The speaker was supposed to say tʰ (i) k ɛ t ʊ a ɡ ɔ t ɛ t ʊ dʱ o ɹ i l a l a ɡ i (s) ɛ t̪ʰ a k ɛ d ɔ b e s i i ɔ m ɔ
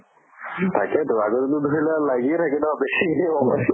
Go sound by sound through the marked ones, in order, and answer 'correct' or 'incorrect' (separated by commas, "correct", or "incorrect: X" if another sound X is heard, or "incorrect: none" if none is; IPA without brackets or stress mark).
incorrect: a, incorrect: none